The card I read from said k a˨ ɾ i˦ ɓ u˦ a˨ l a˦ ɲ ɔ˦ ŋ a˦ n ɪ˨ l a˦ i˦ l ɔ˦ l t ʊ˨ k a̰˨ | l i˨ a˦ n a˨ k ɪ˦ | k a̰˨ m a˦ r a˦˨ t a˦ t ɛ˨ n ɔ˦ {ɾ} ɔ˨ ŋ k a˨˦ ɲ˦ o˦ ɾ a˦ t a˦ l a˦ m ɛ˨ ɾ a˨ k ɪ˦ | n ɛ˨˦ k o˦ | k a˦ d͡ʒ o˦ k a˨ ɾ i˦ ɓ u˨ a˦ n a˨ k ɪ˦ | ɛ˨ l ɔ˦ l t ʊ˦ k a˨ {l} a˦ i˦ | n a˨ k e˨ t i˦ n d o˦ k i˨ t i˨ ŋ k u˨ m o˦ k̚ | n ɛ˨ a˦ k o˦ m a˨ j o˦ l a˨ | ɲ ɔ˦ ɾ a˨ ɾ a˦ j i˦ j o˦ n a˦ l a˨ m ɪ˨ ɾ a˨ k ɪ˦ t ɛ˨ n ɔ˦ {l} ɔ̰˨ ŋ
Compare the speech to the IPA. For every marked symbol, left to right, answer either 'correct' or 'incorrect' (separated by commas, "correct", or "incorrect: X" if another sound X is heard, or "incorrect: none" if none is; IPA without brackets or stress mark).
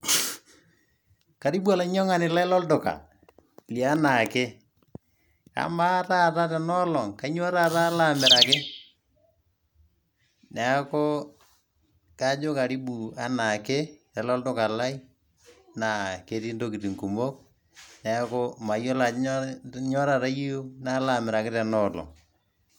incorrect: l, correct, correct